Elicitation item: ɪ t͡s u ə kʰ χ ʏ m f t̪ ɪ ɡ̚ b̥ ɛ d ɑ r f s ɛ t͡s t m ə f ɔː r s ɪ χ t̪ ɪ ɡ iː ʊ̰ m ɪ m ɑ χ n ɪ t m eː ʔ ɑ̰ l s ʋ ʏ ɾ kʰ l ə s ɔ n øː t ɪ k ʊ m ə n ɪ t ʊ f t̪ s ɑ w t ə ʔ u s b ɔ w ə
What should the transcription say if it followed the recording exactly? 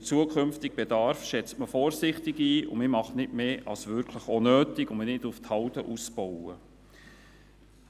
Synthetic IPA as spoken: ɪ t͡s u ə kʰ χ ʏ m f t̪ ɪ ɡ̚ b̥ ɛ d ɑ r f ʃ ɛ t͡s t m ə f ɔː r s ɪ χ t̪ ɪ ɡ iː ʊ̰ m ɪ m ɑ χ n ɪ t m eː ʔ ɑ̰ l s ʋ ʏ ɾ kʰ l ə χ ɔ n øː t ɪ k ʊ m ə n ɪ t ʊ f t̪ h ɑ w t ə ʔ u s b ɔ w ə